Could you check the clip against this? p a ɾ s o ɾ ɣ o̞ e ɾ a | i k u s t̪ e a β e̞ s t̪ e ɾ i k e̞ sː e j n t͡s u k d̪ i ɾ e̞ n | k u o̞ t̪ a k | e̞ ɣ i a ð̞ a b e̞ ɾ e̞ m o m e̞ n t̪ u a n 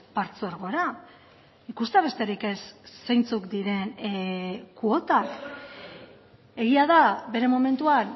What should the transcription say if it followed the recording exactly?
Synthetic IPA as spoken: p a ɾ t͡s o ɾ ɣ o̞ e ɾ a | i k u s t̪ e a β e̞ s t̪ e ɾ i k e̞ sː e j n t͡s u k d̪ i ɾ e̞ n | k u o̞ t̪ a k | e̞ ɣ i a ð̞ a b e̞ ɾ e̞ m o m e̞ n t̪ u a n

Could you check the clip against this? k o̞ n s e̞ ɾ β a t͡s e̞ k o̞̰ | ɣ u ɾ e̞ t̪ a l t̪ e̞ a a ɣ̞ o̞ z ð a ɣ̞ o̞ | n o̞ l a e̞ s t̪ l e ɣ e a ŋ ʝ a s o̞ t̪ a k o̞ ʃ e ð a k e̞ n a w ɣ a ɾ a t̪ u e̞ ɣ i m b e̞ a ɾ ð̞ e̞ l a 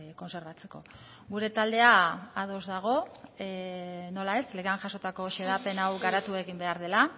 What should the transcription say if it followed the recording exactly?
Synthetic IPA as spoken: k o̞ n s e̞ ɾ β a t͡s e̞ k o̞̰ | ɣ u ɾ e̞ t̪ a l d̪ e̞ a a ð̞ o̞ z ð a ɣ̞ o̞ | n o̞ l a e̞ s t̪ l e ɣ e a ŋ ʝ a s o̞ t̪ a k o̞ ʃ e ð a p e̞ n a w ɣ a ɾ a t̪ u e̞ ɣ i m b e̞ a ɾ ð̞ e̞ l a

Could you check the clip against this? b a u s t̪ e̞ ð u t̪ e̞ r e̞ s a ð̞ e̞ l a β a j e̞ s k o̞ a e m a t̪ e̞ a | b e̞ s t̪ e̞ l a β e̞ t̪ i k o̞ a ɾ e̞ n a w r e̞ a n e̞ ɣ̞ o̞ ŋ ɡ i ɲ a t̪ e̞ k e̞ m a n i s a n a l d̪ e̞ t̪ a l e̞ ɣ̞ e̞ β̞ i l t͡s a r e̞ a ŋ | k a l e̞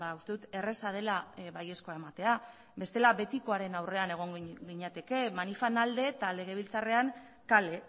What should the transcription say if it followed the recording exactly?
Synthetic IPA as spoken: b a u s t̪ e̞ ð u t̪ e̞ r e̞ s a ð̞ e̞ l a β a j e̞ s k o̞ a e m a t̪ e̞ a | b e̞ s t̪ e̞ l a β e̞ t̪ i k o̞ a ɾ e̞ n a w r e̞ a n e̞ ɣ̞ o̞ ŋ ɡ i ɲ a t̪ e̞ k e̞ m a n i f a n a l d̪ e̞ t̪ a l e̞ ɣ̞ e̞ β̞ i l t͡s a r e̞ a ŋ | k a l e̞

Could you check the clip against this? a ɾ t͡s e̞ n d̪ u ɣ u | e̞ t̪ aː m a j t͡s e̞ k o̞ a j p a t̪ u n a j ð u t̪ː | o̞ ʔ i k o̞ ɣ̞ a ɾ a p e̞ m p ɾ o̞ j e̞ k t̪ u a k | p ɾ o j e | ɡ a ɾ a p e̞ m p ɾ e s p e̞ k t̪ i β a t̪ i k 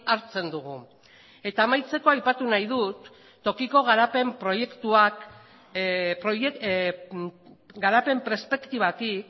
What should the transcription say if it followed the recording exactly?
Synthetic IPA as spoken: a ɾ t͡s e̞ n d̪ u ɣ u | e̞ t̪ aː m a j t͡s e̞ k o̞ a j p a t̪ u n a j ð u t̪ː | o̞ k i k o̞ ɣ̞ a ɾ a p e̞ m p ɾ o̞ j e̞ k t̪ u a k | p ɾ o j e | ɡ a ɾ a p e̞ m p ɾ e s p e̞ k t̪ i β a t̪ i k

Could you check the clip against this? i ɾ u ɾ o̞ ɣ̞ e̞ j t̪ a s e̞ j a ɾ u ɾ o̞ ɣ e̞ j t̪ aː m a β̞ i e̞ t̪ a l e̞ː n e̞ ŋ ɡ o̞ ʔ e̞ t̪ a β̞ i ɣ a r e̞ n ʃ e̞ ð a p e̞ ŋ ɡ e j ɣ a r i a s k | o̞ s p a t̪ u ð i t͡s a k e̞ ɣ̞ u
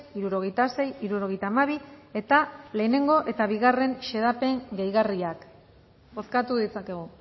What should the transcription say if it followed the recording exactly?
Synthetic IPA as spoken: i ɾ u ɾ o̞ ɣ̞ e̞ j t̪ a s e̞ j i ɾ u ɾ o̞ ɣ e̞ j t̪ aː m a β̞ i e̞ t̪ a l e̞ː n e̞ ŋ ɡ o̞ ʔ e̞ t̪ a β̞ i ɣ a r e̞ n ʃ e̞ ð a p e̞ ŋ ɡ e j ɣ a r i a k | o̞ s k a t̪ u ð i t͡s a k e̞ ɣ̞ u

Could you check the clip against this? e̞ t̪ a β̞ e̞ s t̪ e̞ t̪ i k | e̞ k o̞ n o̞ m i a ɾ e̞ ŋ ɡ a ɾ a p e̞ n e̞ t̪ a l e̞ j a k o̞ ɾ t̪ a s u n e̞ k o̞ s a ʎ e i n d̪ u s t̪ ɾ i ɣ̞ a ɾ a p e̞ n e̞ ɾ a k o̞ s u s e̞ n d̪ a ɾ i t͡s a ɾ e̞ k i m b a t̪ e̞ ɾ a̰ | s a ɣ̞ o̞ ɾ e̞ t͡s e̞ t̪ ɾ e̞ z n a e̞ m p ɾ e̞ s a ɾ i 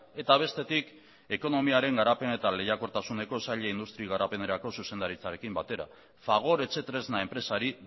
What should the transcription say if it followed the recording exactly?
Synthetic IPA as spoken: e̞ t̪ a β̞ e̞ s t̪ e̞ t̪ i k | e̞ k o̞ n o̞ m i a ɾ e̞ ŋ ɡ a ɾ a p e̞ n e̞ t̪ a l e̞ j a k o̞ ɾ t̪ a s u n e̞ k o̞ s a ʎ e i n d̪ u s t̪ ɾ i ɣ̞ a ɾ a p e̞ n e̞ ɾ a k o̞ s u s e̞ n d̪ a ɾ i t͡s a ɾ e̞ k i m b a t̪ e̞ ɾ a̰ | f a ɣ̞ o̞ ɾ e̞ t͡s e̞ t̪ ɾ e̞ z n a e̞ m p ɾ e̞ s a ɾ i

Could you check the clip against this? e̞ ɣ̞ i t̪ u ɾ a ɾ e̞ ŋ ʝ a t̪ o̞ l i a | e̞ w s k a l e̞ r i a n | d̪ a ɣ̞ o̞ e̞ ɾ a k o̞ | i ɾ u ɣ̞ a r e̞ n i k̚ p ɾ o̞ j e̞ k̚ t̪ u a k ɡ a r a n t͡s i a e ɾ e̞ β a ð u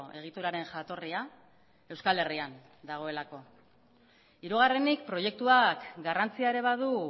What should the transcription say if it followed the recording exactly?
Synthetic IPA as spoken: e̞ ɣ̞ i t̪ u ɾ a ɾ e̞ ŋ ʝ a t̪ o̞ r i a | e̞ w s k a l e̞ r i a n | d̪ a ɣ̞ o̞ e̞ l a k o̞ | i ɾ u ɣ̞ a r e̞ n i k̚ p ɾ o̞ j e̞ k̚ t̪ u a k ɡ a r a n t͡s i a e ɾ e̞ β a ð u

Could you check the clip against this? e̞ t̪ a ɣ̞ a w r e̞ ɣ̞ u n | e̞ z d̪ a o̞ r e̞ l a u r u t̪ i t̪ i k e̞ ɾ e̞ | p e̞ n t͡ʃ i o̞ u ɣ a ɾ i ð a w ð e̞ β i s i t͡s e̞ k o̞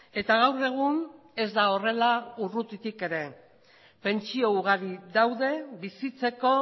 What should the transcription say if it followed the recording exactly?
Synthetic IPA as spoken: e̞ t̪ a ɣ̞ a w r e̞ ɣ̞ u n | e̞ z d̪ a o̞ r e̞ l a u r u t̪ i t̪ i k e̞ ɾ e̞ | p e̞ n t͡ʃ i o̞ u ɣ a ɾ i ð a w ð e̞ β i s i t͡s e̞ k o̞

